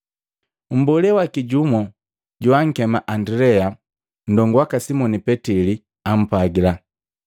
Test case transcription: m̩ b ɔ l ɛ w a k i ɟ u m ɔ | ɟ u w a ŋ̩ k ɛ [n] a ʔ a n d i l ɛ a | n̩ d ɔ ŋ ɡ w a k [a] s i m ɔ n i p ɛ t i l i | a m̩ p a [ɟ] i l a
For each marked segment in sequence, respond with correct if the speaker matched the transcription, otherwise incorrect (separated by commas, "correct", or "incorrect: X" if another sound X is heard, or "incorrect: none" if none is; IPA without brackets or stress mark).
incorrect: m, correct, incorrect: ɡ